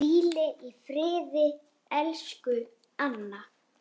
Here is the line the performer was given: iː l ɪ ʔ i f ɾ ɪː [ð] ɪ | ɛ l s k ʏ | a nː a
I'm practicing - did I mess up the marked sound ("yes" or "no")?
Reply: no